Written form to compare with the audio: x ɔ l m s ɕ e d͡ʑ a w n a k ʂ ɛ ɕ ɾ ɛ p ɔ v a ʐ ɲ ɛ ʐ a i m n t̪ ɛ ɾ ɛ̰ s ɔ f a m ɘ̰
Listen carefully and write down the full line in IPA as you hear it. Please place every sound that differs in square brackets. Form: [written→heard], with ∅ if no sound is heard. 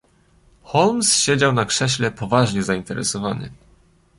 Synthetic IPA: x ɔ l m s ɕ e d͡ʑ a w n a k ʂ ɛ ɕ [ɾ→l] ɛ p ɔ v a ʐ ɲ ɛ [ʐ→z] a i [m→∅] n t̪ ɛ ɾ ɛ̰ s ɔ [f→v] a [m→n] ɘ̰